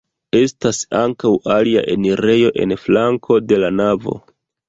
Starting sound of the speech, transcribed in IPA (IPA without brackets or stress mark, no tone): e̞